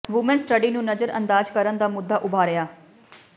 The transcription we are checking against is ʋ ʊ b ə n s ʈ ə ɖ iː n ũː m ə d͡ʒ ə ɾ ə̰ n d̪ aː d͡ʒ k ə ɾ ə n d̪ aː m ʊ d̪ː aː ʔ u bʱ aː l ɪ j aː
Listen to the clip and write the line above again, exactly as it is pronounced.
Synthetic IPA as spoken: ʋ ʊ m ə n s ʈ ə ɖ iː n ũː n ə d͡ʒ ə ɾ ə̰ n d̪ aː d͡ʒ k ə ɾ ə n d̪ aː m ʊ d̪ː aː ʔ ʊ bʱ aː ɾ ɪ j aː